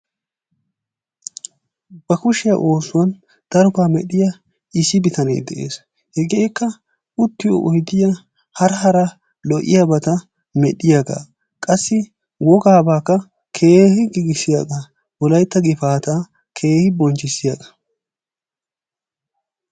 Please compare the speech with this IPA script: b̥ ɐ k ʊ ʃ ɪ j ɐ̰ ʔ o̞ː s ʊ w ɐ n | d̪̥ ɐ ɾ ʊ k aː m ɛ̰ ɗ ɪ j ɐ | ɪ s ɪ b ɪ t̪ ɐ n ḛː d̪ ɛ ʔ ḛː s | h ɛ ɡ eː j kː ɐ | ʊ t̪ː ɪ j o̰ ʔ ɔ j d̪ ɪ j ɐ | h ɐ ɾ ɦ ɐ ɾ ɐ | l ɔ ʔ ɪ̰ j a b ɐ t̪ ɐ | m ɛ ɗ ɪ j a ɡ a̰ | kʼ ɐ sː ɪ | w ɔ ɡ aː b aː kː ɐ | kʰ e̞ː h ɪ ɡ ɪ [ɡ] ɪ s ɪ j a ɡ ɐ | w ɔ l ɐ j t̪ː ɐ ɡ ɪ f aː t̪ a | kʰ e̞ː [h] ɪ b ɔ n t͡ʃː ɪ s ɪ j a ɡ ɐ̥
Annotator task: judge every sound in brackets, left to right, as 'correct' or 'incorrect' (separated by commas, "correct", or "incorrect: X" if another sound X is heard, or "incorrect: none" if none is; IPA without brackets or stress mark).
correct, correct